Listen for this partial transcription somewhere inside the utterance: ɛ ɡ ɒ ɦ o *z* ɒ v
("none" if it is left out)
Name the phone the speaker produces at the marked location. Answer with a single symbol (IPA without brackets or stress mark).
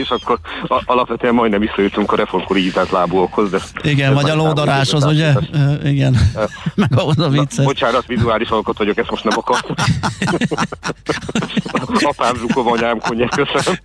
z